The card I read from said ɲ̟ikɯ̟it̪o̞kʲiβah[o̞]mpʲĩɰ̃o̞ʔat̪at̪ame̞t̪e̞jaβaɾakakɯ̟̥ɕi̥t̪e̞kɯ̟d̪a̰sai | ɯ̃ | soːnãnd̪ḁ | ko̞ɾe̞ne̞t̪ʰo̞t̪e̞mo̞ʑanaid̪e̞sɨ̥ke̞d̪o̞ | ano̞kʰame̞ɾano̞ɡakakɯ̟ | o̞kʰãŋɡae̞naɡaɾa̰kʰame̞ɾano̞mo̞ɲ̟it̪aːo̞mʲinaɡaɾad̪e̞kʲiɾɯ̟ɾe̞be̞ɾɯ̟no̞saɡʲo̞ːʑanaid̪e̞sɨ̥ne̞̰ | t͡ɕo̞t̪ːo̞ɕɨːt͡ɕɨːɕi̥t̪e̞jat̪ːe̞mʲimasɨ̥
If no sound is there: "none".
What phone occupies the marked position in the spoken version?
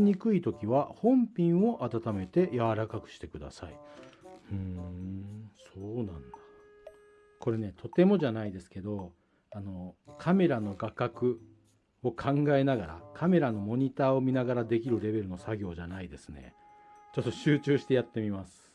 õ̞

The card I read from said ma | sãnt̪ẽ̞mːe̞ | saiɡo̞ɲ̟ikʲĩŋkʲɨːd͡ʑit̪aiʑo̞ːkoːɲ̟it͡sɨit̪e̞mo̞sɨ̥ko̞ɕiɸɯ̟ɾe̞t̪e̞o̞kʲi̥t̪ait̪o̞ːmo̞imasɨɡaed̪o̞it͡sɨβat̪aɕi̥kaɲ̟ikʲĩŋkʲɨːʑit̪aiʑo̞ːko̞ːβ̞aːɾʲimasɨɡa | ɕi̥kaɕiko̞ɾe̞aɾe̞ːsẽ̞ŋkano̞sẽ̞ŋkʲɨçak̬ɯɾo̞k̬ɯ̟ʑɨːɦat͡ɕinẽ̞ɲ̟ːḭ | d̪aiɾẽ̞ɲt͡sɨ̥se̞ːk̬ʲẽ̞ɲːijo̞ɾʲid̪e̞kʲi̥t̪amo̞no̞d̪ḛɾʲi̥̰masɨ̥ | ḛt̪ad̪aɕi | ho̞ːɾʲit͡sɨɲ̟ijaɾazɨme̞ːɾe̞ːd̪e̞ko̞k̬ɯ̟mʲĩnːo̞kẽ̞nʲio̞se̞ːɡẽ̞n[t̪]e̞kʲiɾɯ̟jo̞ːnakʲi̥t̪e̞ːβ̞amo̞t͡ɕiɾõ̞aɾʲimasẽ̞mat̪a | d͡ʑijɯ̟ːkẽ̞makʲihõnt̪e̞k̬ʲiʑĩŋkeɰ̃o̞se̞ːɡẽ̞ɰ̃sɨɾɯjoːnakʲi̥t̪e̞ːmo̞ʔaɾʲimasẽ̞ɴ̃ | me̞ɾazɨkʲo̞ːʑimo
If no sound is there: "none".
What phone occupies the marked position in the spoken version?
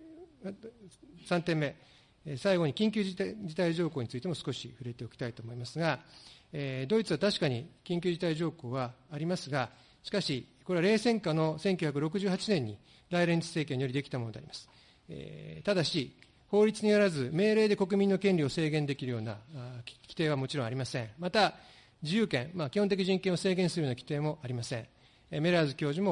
d̪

